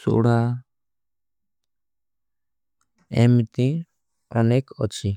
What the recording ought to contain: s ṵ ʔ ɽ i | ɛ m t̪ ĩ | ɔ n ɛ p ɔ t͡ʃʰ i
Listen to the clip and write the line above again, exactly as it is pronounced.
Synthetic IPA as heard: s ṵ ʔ ɽ a | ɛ m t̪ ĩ | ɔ n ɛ k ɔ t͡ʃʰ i